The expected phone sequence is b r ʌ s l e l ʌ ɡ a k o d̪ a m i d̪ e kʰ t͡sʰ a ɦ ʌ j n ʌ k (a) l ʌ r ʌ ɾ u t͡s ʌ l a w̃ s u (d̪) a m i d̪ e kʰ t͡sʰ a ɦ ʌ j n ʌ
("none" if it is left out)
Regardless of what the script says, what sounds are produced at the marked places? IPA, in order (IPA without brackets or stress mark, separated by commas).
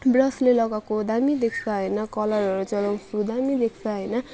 ʌ, d̪